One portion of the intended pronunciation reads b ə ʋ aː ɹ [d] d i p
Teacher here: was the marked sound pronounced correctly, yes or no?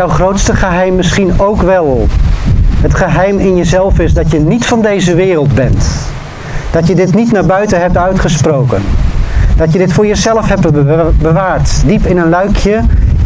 no